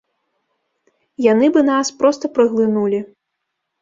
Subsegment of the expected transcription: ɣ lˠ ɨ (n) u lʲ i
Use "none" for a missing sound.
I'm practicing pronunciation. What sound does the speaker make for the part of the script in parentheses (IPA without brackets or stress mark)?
n